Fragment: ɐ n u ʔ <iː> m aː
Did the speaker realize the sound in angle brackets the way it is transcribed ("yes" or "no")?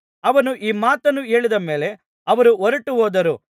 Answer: yes